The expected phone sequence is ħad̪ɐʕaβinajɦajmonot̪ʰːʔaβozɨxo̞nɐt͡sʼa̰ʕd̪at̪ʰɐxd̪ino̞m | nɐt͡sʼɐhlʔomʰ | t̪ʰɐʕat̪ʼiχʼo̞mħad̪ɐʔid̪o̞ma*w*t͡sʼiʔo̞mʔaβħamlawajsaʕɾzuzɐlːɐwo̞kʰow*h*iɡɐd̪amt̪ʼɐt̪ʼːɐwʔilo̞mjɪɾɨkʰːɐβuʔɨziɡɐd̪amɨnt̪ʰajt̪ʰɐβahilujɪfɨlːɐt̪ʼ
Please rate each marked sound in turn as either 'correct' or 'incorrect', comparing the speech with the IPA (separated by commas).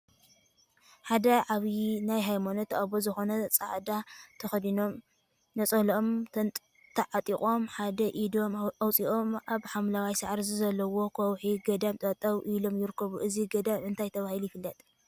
correct, incorrect